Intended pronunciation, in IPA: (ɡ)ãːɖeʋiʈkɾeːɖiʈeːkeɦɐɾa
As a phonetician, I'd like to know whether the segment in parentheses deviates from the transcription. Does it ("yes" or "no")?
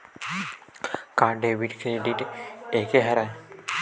yes